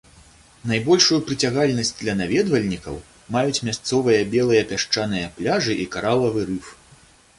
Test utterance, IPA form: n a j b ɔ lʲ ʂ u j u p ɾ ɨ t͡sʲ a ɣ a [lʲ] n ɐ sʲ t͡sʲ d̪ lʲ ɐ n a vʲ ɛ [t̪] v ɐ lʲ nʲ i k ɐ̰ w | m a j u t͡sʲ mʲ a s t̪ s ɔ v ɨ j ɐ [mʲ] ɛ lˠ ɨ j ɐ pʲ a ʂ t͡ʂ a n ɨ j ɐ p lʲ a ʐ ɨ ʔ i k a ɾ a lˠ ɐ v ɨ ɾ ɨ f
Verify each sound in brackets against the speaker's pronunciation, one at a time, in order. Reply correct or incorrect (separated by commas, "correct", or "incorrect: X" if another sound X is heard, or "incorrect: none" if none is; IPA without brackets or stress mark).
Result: correct, incorrect: d̪, incorrect: bʲ